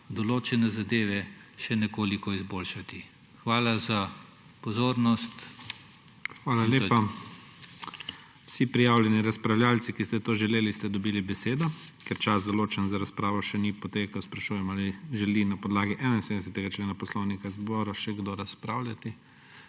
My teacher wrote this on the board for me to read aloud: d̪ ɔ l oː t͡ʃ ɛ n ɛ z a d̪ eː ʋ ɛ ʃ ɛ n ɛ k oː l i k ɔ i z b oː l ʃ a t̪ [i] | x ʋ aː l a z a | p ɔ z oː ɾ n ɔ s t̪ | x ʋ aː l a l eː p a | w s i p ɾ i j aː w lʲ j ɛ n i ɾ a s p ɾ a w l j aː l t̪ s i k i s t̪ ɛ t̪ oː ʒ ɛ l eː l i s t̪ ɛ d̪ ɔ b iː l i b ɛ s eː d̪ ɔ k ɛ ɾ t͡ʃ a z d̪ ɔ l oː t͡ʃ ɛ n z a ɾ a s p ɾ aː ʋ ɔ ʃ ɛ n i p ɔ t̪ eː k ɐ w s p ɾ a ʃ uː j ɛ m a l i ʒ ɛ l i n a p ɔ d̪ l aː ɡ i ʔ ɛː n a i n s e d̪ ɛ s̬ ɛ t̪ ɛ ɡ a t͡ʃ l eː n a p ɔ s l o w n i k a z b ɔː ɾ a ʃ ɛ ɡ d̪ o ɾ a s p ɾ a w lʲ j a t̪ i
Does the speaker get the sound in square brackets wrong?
no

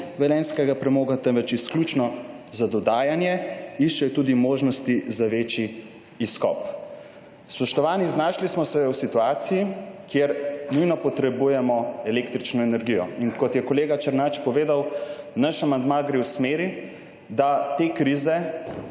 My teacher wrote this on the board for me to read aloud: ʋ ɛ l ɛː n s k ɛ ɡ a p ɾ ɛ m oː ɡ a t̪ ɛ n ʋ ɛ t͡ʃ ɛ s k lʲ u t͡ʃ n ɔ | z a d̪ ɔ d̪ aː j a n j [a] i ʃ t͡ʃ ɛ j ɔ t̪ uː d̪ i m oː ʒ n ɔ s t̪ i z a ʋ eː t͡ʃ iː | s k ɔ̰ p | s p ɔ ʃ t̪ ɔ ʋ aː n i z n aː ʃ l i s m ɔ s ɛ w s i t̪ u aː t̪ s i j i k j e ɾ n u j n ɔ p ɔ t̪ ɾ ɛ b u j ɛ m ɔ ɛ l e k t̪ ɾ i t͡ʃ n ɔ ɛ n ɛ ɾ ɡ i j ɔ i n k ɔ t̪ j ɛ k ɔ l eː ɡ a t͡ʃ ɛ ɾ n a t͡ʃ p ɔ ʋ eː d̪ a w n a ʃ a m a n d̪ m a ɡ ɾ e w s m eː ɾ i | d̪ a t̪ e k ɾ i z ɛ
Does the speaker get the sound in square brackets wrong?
yes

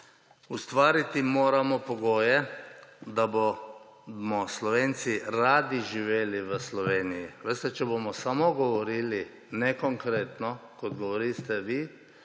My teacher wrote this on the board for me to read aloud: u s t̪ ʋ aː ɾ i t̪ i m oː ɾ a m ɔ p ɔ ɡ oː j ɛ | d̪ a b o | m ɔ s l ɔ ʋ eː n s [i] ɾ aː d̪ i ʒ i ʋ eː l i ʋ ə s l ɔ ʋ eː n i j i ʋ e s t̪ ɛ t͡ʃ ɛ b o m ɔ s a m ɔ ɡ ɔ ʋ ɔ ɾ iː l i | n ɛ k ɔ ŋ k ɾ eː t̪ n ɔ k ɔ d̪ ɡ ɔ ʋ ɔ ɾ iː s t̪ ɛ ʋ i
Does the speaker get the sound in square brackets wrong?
no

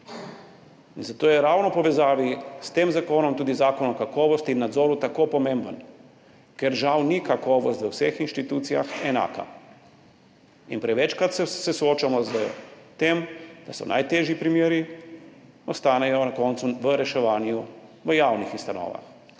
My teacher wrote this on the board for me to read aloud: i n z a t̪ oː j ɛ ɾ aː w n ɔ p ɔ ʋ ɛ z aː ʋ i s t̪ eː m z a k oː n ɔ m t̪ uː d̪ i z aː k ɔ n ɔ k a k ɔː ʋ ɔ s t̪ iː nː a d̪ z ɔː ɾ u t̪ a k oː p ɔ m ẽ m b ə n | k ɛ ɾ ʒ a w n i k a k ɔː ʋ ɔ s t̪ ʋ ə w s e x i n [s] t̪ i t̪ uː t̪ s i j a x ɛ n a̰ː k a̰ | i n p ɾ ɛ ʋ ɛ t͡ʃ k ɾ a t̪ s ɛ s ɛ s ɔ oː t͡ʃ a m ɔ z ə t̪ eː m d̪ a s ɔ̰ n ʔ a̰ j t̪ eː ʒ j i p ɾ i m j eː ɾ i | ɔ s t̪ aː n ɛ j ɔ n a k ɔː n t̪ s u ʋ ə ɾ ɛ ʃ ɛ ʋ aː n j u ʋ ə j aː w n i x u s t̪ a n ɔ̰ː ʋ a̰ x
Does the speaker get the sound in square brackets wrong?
yes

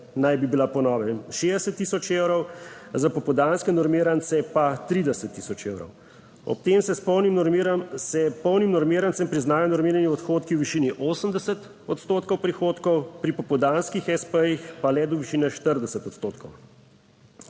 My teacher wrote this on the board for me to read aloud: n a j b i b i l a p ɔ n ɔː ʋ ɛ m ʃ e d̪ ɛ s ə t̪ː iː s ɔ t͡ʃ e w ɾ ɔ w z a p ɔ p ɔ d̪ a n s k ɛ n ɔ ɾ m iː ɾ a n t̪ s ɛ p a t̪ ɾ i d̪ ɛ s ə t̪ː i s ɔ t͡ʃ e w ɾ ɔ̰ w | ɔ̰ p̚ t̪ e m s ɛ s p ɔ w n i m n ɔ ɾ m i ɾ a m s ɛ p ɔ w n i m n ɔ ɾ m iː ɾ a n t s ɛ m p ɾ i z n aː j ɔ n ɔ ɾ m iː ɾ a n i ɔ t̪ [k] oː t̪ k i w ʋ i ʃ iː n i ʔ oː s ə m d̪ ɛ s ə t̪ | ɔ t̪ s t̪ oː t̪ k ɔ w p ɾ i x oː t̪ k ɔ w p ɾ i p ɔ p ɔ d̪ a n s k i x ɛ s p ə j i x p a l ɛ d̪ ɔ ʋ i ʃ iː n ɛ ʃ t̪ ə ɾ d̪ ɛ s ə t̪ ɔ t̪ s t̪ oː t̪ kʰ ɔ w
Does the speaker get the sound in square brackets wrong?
yes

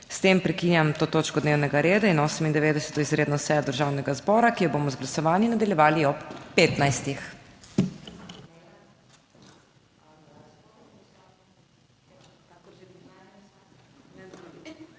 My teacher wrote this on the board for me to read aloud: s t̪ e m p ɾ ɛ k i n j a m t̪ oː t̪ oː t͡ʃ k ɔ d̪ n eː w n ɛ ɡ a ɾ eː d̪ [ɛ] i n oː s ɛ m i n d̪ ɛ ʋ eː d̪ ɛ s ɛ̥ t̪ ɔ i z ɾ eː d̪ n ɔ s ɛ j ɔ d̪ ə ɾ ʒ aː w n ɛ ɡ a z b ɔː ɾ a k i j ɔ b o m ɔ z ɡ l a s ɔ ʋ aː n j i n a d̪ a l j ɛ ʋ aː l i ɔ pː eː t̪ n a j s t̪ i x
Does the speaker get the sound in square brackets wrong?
yes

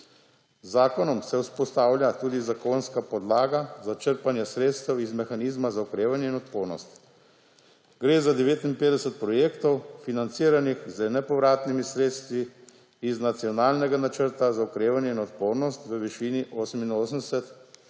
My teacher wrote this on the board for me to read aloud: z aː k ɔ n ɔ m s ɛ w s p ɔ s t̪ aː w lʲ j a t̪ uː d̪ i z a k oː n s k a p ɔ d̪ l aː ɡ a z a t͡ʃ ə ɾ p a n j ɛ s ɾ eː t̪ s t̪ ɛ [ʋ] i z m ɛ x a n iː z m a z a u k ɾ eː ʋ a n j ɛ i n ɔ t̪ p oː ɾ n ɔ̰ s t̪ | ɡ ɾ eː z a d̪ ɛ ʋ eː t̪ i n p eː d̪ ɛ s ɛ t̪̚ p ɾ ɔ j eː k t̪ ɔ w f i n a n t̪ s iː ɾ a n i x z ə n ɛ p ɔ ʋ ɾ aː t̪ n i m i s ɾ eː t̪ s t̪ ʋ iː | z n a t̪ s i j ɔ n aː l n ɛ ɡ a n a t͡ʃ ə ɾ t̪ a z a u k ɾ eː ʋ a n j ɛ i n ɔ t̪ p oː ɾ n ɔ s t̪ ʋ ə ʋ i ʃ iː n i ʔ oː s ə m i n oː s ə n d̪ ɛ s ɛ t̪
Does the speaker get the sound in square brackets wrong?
yes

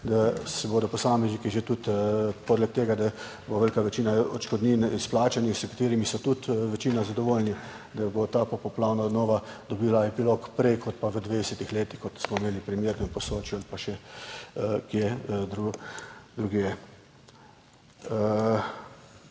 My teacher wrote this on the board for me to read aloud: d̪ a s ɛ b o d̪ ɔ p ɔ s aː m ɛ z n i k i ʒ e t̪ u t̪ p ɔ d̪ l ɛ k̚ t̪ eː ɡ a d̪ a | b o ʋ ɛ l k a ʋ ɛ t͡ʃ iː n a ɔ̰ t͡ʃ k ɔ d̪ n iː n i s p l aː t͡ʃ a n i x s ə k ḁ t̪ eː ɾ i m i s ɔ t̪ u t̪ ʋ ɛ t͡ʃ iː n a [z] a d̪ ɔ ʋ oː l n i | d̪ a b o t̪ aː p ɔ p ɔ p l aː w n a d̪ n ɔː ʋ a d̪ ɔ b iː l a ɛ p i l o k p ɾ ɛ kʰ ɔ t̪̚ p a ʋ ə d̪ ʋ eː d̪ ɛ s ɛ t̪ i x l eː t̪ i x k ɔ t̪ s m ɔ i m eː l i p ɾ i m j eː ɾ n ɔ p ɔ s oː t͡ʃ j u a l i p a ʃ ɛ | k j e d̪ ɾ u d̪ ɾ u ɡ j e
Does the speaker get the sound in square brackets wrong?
no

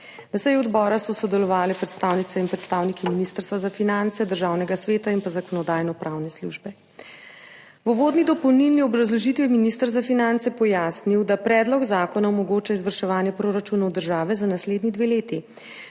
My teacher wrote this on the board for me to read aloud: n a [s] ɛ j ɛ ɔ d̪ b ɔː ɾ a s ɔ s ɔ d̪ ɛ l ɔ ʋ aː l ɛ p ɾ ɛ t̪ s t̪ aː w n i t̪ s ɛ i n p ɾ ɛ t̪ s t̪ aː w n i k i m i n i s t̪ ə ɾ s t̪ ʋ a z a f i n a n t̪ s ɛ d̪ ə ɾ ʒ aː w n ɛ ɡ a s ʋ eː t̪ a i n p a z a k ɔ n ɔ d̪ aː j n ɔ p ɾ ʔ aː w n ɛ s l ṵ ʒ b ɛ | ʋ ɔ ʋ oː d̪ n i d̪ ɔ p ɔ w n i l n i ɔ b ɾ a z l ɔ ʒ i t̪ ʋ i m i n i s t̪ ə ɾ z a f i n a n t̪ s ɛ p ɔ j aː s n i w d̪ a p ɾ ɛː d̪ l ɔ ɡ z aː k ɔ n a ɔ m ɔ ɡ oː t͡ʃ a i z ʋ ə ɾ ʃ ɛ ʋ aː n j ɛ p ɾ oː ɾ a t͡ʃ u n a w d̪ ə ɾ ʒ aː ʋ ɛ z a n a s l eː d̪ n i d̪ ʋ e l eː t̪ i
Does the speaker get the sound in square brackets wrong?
no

